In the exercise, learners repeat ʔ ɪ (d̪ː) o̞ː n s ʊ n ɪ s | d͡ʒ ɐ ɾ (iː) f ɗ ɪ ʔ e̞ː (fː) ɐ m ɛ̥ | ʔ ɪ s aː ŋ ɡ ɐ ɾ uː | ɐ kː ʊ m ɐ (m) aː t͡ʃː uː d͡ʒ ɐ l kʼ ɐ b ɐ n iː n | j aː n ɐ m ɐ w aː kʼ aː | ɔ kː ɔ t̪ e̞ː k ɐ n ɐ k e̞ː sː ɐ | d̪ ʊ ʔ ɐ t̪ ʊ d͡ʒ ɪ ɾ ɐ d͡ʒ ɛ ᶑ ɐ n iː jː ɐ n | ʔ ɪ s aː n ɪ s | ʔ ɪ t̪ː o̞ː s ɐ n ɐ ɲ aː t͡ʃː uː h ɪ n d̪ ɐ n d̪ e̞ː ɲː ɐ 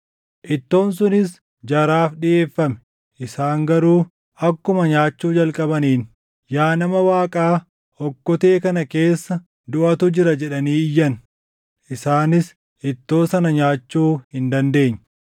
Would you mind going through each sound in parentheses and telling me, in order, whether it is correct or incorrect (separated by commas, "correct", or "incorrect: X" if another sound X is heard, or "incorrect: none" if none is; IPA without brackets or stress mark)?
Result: incorrect: t̪ː, incorrect: aː, correct, incorrect: ɲ